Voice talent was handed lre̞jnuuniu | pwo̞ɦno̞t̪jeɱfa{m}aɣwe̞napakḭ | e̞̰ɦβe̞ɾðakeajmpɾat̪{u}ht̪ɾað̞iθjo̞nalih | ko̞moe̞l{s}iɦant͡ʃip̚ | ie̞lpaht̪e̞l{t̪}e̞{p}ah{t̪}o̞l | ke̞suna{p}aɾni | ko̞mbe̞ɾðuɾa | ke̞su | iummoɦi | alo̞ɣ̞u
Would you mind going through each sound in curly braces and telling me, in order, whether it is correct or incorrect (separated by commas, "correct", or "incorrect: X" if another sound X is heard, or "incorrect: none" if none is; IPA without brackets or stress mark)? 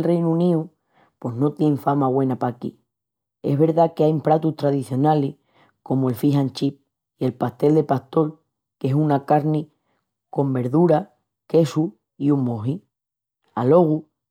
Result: correct, correct, incorrect: f, incorrect: d̪, correct, correct, incorrect: k